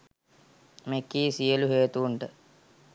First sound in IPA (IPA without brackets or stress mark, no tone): m